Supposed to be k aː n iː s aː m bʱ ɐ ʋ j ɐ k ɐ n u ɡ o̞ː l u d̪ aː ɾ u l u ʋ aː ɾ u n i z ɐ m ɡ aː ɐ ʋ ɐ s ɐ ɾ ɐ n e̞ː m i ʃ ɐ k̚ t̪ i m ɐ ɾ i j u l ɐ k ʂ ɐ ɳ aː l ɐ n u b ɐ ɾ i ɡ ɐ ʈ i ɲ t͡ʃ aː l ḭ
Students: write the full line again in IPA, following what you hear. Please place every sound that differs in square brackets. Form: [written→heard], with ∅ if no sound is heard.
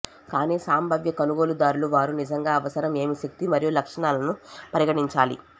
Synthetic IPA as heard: k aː n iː s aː m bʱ ɐ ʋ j ɐ k ɐ n u ɡ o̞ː l u d̪ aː ɾ u l u ʋ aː ɾ u n i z ɐ [m→ŋ] ɡ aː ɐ ʋ ɐ s ɐ ɾ ɐ [n→m] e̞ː m i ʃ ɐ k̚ t̪ i m ɐ ɾ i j u l ɐ k ʂ ɐ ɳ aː l ɐ n u [b→p] ɐ ɾ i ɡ ɐ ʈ i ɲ t͡ʃ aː l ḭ